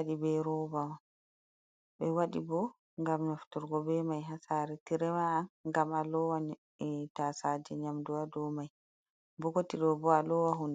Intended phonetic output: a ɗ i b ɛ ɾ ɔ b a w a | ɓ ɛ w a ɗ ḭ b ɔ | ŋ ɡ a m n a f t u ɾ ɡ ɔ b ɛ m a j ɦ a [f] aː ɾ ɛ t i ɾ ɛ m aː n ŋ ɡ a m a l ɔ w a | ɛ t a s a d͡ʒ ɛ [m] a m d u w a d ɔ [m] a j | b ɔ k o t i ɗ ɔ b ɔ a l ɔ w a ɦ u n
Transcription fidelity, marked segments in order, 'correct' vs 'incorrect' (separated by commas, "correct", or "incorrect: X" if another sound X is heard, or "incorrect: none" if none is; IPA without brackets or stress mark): incorrect: s, incorrect: ɲ, correct